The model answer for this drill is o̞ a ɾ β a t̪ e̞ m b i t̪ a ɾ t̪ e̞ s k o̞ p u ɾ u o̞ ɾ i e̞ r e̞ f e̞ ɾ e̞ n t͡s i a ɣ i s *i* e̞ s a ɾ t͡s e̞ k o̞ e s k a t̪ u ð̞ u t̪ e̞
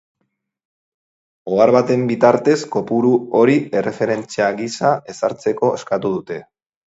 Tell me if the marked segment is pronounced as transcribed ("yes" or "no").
no